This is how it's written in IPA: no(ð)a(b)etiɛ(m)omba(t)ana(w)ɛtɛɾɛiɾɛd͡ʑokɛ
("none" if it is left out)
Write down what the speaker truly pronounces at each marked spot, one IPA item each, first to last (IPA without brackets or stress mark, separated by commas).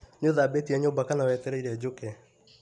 ð, b, ɲ, k, w